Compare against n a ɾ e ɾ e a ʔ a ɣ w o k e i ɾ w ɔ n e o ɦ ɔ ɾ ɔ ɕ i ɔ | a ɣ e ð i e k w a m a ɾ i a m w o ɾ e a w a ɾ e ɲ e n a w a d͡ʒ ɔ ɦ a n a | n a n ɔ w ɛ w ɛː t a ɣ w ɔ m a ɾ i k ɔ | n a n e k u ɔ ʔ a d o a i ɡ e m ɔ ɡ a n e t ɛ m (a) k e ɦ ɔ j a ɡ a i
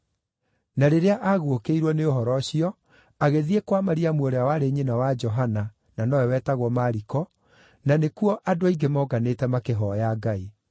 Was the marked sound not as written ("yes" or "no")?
no